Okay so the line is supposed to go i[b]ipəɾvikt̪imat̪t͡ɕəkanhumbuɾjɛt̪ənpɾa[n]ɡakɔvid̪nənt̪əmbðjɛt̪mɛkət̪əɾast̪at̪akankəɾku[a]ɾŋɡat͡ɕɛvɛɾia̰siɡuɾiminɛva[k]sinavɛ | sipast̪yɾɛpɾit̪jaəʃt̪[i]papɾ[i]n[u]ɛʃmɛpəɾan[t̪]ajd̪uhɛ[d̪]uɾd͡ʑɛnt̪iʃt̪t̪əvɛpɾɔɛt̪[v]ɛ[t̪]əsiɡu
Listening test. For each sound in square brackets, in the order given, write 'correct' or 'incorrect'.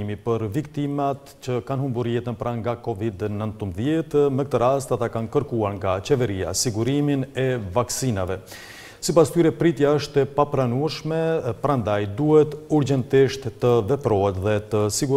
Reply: incorrect, incorrect, correct, correct, incorrect, incorrect, correct, incorrect, incorrect, incorrect, correct

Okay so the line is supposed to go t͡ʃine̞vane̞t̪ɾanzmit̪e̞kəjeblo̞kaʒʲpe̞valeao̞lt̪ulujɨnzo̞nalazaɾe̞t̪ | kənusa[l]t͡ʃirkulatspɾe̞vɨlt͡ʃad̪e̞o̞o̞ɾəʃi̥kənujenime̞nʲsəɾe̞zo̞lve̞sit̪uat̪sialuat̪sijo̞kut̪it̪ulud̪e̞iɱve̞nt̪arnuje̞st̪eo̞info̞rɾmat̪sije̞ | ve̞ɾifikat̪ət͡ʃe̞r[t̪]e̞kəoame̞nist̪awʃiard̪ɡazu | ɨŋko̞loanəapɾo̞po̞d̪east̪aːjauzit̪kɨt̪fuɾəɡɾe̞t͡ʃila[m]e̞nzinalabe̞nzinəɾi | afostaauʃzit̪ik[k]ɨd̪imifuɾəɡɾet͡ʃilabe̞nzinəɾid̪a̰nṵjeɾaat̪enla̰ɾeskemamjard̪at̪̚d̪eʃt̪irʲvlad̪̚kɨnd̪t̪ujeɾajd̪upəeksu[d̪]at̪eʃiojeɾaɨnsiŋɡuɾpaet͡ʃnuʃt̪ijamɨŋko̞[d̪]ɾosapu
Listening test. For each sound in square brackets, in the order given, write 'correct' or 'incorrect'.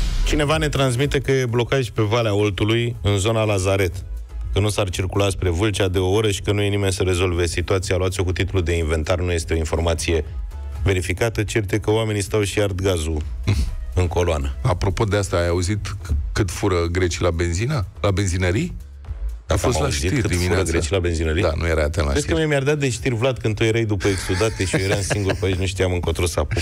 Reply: incorrect, correct, incorrect, correct, correct, incorrect

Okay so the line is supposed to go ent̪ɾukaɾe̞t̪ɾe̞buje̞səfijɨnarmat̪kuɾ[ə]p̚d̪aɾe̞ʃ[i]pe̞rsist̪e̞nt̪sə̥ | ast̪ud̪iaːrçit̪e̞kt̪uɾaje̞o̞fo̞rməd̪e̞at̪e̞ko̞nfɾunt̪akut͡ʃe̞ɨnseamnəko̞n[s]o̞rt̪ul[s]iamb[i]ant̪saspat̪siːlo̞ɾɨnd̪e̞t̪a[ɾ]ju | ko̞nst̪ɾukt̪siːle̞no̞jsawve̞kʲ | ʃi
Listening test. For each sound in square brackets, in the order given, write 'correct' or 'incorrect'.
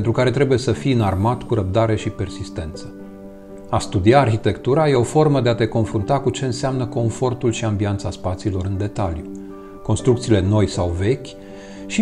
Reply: correct, correct, incorrect, incorrect, correct, incorrect

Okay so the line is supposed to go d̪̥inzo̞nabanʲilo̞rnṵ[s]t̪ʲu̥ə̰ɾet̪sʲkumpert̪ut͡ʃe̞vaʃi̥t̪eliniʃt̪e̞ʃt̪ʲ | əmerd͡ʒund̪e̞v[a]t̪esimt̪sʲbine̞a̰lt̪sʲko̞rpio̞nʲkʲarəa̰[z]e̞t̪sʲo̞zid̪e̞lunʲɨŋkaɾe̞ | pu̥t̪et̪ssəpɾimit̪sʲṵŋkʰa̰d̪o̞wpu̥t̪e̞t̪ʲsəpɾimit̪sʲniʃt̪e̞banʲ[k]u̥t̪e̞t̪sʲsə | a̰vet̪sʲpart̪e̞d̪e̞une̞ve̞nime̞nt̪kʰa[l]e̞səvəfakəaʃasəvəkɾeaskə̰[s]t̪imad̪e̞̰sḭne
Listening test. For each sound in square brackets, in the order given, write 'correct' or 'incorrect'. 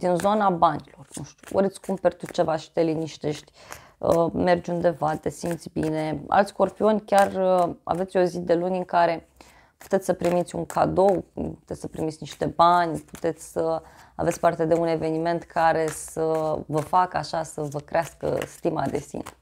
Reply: incorrect, correct, incorrect, incorrect, incorrect, correct

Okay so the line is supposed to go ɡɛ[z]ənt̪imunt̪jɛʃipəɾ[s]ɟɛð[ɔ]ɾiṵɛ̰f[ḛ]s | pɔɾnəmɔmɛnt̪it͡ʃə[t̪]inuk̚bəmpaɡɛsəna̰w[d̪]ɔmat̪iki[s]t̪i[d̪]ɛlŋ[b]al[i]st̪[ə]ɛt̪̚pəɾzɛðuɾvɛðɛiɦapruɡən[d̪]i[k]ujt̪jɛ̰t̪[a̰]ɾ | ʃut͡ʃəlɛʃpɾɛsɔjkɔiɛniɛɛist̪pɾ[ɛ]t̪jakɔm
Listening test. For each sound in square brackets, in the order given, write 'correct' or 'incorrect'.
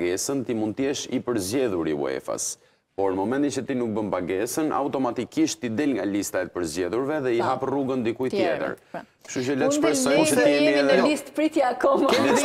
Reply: incorrect, incorrect, incorrect, incorrect, correct, incorrect, incorrect, correct, incorrect, correct, incorrect, correct, correct, incorrect, incorrect

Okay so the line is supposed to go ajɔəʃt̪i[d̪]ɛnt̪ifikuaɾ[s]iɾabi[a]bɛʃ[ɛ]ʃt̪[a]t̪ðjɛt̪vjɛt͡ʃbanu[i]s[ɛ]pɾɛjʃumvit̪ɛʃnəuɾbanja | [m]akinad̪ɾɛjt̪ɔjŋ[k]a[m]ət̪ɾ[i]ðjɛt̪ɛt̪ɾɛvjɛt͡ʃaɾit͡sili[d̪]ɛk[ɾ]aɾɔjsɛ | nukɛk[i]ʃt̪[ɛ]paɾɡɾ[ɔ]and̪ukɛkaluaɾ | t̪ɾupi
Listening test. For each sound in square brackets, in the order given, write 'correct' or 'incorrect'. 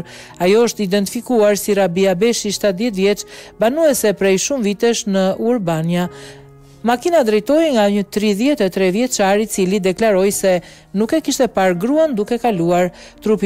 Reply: correct, correct, correct, incorrect, correct, incorrect, correct, correct, incorrect, incorrect, correct, correct, incorrect, correct, correct, incorrect

